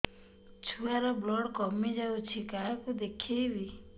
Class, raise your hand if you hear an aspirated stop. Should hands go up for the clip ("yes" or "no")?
yes